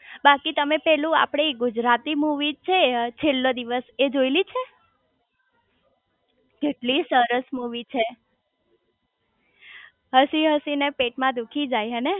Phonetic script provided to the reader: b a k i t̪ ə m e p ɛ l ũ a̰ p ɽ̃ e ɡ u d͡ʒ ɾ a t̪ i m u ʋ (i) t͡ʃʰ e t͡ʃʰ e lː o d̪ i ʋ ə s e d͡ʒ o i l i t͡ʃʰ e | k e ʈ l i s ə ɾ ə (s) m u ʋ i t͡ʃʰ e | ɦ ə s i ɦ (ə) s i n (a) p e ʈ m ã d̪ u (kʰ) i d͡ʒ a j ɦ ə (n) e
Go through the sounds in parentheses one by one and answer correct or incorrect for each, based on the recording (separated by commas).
correct, correct, correct, incorrect, correct, correct